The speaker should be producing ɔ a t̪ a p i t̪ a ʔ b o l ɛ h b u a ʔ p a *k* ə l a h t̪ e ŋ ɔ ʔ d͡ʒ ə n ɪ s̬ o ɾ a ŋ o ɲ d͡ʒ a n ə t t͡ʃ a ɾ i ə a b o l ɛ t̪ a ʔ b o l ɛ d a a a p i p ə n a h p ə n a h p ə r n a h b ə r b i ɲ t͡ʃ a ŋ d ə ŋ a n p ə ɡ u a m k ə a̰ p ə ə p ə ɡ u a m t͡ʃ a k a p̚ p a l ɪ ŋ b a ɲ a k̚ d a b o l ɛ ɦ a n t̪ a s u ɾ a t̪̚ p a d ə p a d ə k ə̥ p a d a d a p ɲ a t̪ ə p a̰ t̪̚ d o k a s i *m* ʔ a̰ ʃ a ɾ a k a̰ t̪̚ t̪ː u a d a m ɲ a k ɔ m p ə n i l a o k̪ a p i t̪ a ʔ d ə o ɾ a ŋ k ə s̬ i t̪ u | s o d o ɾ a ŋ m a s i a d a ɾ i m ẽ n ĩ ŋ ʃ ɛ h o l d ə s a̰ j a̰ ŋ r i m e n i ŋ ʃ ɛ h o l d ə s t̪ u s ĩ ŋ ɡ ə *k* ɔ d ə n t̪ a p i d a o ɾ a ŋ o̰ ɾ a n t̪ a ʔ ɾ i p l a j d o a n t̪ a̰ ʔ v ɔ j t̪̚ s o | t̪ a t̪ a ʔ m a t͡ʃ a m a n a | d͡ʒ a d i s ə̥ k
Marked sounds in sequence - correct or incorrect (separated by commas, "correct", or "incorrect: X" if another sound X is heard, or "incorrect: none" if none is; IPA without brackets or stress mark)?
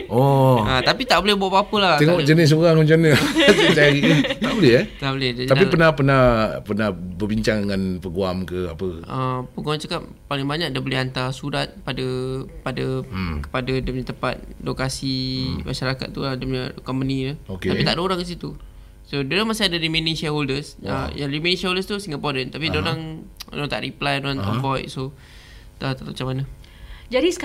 incorrect: p, correct, incorrect: p